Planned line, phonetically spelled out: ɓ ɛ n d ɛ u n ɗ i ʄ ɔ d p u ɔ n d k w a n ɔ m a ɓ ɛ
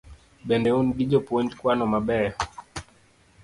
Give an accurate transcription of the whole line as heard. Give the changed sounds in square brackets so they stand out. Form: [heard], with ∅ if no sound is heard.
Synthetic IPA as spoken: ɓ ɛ n d ɛ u n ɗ i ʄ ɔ [∅] p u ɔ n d k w a n ɔ m a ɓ ɛ

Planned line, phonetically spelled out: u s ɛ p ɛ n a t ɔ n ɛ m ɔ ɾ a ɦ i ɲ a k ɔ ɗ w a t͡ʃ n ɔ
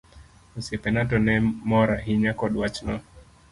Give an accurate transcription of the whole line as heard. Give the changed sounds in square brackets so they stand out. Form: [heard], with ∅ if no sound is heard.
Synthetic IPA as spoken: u s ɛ p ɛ n a t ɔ n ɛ m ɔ ɾ a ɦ i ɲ a k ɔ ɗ w a t͡ʃ n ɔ

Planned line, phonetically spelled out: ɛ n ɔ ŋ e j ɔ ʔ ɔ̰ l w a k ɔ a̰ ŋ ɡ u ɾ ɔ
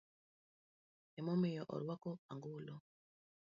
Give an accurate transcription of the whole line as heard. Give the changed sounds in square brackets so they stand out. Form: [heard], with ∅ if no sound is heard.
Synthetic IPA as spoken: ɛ [m] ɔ [m] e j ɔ ʔ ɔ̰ [ɾ] w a k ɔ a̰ ŋ ɡ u [l] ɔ

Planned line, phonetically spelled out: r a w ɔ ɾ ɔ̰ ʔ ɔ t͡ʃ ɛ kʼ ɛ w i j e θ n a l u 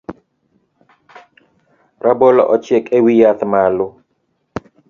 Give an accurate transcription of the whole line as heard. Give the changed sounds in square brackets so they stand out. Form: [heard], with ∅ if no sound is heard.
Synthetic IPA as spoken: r a [b] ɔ [l] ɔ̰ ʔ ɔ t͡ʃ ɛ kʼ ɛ w i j [a] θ [m] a l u

